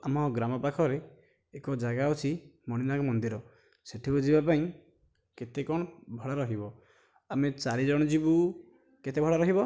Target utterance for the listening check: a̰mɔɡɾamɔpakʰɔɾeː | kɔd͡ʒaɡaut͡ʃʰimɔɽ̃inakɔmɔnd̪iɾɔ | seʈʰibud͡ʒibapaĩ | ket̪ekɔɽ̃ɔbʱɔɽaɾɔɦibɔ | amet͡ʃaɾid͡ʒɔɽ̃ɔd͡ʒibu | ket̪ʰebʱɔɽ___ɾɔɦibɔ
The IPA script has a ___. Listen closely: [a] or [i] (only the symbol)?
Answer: a